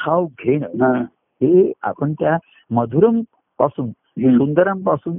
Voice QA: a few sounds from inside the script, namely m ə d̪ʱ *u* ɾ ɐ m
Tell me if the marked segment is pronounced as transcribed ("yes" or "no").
yes